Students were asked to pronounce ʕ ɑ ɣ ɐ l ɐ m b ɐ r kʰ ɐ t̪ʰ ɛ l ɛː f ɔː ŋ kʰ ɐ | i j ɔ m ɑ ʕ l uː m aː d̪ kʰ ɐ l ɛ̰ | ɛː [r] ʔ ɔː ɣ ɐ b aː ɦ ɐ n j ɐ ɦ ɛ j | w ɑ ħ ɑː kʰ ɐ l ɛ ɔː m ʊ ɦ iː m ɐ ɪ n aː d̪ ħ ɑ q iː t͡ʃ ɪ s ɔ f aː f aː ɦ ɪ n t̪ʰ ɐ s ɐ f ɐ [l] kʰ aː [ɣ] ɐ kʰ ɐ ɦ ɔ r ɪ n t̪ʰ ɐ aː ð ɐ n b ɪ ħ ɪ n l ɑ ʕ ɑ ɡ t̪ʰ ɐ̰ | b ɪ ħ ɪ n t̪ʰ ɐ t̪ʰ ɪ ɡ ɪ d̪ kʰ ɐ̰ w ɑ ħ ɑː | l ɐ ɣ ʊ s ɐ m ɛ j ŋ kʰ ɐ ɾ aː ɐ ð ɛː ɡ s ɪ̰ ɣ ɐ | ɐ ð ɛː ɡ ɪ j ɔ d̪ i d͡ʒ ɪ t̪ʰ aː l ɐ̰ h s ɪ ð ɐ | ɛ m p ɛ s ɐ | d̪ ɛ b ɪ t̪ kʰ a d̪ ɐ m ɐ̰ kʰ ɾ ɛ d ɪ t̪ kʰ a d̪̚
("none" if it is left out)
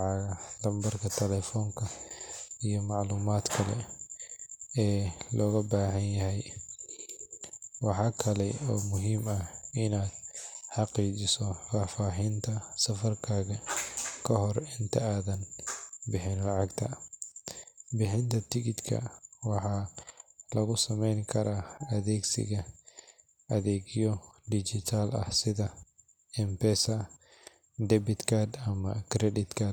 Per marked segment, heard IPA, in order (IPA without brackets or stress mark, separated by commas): l, r, ɣ